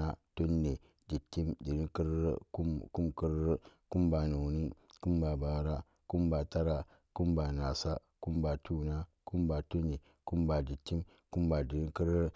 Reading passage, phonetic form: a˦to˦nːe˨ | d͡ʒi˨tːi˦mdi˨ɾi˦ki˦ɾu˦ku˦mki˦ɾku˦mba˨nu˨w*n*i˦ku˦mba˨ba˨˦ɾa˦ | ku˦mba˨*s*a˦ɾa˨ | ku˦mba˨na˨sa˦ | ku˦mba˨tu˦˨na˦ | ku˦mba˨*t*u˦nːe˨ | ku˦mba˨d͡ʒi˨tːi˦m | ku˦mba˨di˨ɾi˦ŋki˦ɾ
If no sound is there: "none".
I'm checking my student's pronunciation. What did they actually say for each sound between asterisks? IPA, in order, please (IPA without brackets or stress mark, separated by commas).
n, t, t